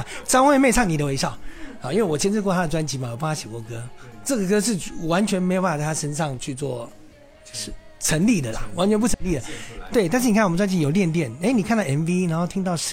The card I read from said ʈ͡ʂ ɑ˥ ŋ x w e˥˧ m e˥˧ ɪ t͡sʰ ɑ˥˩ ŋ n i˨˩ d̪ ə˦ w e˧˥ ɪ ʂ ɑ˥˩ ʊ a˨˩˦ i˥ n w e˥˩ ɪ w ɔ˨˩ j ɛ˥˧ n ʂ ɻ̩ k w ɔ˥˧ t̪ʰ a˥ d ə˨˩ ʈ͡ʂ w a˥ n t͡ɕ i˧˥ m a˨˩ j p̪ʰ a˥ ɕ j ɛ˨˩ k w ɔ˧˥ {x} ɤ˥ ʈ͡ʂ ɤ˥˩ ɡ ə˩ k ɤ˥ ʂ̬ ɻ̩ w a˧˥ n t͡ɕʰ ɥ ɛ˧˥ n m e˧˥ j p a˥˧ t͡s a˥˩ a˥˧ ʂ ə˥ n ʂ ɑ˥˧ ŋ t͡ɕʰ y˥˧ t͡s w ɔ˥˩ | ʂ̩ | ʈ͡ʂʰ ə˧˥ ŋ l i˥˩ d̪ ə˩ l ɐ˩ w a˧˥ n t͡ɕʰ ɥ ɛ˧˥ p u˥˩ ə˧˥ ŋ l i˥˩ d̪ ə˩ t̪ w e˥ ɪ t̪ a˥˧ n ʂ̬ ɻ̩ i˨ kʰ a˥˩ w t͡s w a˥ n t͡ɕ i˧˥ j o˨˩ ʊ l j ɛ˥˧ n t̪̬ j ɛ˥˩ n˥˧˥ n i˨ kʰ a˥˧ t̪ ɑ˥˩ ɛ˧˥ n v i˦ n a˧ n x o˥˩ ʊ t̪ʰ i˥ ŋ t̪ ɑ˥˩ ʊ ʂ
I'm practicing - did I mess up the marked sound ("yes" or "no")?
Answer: yes